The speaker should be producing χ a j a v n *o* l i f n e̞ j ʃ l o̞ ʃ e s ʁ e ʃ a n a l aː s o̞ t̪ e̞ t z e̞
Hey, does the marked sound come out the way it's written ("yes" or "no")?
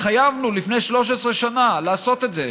no